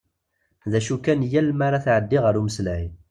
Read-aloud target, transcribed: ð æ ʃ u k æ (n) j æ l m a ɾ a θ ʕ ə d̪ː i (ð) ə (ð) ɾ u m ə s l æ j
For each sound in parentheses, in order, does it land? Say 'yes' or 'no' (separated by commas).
yes, no, no